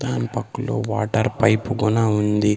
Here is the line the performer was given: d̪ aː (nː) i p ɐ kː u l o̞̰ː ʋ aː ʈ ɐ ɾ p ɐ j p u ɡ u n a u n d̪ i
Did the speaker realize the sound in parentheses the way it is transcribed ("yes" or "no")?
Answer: no